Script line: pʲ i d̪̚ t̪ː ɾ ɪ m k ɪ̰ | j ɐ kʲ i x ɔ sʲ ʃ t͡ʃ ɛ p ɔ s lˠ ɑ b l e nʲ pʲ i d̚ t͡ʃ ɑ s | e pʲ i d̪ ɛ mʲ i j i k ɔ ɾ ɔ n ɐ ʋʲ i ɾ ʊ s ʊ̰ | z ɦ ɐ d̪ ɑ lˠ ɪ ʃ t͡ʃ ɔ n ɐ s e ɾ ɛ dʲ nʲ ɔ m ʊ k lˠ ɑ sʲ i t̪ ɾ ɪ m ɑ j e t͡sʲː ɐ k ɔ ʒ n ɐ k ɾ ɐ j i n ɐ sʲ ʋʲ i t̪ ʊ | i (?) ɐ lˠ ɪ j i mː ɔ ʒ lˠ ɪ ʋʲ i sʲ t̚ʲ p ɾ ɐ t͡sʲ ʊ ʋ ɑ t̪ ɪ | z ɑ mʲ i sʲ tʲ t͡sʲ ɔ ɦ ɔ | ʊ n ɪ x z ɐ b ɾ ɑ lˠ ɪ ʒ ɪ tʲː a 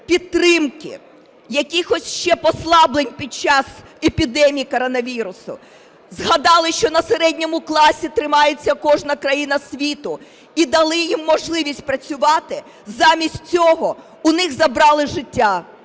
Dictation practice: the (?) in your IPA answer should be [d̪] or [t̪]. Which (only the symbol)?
d̪